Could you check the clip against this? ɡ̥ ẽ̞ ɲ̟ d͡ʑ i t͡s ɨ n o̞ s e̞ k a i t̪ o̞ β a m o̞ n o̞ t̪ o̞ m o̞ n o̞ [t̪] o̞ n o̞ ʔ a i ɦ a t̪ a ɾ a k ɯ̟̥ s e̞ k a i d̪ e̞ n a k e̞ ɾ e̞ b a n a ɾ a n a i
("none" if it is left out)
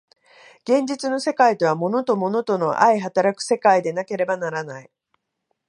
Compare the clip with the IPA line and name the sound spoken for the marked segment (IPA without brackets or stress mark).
t̪